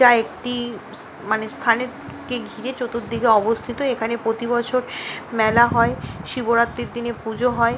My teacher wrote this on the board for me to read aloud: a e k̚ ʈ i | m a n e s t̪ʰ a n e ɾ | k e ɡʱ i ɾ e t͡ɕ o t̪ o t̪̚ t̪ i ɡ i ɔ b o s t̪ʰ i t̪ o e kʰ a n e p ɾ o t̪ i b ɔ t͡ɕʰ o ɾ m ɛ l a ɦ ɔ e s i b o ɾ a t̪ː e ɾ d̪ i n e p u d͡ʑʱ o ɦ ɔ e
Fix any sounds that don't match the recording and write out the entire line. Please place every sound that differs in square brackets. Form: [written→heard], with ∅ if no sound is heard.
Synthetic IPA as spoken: a e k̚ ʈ i | m a n e s t̪ʰ a n e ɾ | k e ɡʱ i ɾ e t͡ɕ o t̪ o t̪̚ [t̪→d̪] i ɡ [i→e] ɔ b o s t̪ʰ i t̪ o e kʰ a n e p ɾ o t̪ i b ɔ t͡ɕʰ o ɾ m ɛ l a ɦ ɔ e [s→ʃ] i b o ɾ a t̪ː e ɾ d̪ i n e p u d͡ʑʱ o ɦ ɔ e